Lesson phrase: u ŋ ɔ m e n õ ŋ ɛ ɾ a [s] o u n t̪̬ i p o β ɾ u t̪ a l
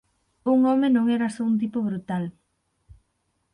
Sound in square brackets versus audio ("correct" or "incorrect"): correct